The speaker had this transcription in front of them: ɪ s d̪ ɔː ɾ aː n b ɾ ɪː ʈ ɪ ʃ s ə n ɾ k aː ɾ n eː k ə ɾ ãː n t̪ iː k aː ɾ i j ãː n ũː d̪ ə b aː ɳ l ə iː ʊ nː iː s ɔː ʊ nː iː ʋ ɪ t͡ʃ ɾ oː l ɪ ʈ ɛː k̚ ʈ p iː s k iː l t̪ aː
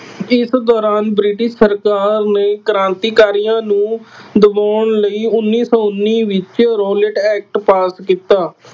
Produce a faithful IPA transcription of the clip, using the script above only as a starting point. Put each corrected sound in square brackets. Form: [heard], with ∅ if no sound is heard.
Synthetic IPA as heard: ɪ s d̪ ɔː ɾ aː n b ɾ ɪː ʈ ɪ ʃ s ə [∅] ɾ k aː ɾ n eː k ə ɾ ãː n t̪ iː k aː ɾ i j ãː n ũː d̪ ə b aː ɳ l ə iː ʊ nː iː s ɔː ʊ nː iː ʋ ɪ t͡ʃ ɾ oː l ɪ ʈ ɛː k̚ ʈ p [aː] s k iː [∅] t̪ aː